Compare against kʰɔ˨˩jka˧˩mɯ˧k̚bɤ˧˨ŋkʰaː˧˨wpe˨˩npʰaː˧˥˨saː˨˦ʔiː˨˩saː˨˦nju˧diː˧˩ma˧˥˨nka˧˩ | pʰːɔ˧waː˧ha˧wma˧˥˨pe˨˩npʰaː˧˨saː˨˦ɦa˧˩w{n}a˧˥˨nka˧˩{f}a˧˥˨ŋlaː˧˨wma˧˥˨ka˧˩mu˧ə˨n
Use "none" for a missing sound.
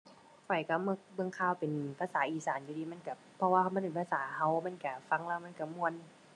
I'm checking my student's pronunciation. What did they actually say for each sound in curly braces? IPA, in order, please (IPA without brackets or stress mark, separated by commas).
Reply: m, f